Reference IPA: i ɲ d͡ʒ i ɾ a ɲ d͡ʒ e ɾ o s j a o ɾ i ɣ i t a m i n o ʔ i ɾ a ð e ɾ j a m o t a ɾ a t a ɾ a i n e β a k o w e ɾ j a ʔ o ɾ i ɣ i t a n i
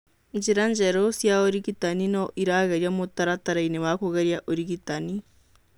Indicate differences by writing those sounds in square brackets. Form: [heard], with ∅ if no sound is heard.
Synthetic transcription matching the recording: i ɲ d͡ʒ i ɾ a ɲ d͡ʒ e ɾ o s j a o ɾ i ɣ i t a [n] i n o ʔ i ɾ a [ɣ] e ɾ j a m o t a ɾ a t a ɾ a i n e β a k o [ɣ] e ɾ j a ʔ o ɾ i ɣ i t a n i